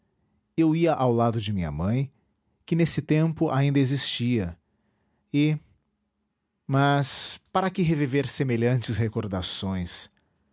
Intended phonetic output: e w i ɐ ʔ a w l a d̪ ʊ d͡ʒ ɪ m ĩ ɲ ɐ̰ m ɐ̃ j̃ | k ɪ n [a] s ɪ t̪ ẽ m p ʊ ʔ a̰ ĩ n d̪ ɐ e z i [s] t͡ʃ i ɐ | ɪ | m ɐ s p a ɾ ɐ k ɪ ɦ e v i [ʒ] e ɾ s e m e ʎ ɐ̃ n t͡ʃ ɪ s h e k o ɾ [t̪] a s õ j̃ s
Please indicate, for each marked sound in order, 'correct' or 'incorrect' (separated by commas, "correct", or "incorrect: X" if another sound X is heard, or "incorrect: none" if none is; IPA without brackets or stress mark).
incorrect: e, correct, incorrect: v, incorrect: d̪